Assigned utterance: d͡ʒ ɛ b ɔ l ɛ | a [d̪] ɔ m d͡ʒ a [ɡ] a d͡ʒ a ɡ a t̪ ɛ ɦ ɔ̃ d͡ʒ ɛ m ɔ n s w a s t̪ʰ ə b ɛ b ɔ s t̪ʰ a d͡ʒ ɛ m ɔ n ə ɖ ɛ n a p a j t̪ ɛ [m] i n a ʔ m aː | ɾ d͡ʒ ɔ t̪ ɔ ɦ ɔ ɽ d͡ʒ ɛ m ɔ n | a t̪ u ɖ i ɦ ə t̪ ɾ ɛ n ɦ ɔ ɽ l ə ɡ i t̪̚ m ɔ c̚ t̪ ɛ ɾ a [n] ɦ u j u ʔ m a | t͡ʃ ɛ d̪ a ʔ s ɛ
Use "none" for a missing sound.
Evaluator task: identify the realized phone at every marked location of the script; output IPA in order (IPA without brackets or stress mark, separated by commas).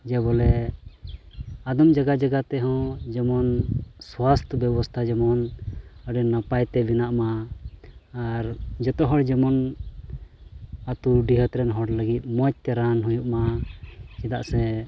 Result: d̪, ɡ, b, n